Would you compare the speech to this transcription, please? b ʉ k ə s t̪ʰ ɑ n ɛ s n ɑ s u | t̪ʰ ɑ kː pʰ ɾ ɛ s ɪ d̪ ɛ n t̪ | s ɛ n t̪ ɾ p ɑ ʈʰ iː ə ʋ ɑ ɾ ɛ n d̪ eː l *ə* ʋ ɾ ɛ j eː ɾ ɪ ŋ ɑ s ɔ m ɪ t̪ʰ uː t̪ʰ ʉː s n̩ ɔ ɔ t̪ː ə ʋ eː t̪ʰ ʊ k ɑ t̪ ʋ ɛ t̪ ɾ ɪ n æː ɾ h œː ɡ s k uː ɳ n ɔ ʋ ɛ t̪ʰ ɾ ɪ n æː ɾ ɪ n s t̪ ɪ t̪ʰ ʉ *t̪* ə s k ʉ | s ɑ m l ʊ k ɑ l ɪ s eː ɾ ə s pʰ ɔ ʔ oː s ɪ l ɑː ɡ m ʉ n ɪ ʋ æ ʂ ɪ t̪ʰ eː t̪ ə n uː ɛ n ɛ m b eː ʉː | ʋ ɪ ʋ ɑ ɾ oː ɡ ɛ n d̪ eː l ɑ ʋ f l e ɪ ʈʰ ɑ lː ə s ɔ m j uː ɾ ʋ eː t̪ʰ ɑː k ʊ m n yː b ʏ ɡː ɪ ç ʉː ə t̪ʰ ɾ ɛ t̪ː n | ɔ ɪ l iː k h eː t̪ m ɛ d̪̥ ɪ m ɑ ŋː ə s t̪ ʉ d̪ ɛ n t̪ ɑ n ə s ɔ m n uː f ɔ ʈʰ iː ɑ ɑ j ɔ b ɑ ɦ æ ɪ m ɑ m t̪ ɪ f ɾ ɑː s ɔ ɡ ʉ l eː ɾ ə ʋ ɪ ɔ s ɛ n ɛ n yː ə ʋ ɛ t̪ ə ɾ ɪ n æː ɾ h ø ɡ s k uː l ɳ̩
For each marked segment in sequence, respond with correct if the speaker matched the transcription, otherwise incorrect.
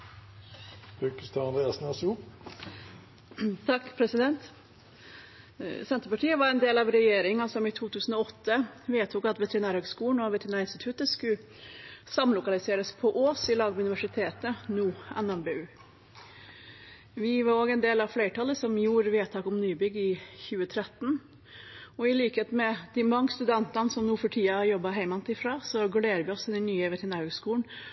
incorrect, correct

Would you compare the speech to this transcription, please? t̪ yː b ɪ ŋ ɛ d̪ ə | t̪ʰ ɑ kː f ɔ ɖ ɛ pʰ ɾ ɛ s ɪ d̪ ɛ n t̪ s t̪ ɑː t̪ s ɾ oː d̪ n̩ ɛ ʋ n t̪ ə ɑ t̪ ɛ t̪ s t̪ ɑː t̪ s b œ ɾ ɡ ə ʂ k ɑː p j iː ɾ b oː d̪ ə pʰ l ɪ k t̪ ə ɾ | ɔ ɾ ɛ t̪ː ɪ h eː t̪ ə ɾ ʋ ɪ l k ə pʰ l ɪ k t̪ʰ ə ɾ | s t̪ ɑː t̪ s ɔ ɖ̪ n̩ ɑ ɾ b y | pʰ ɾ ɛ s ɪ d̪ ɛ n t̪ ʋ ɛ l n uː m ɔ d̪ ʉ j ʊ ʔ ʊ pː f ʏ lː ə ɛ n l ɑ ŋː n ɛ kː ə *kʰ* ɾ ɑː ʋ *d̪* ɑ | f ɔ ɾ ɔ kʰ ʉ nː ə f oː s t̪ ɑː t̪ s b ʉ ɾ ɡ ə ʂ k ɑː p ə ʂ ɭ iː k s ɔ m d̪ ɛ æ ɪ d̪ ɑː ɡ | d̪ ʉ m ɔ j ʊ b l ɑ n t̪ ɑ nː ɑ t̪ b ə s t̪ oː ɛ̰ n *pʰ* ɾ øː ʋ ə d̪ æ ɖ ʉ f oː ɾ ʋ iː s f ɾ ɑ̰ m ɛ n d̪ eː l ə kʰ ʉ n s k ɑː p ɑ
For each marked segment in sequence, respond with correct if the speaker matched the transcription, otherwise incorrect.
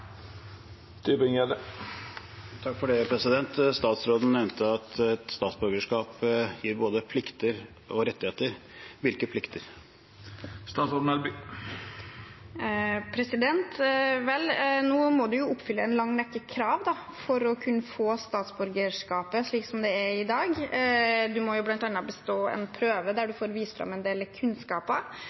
correct, correct, correct

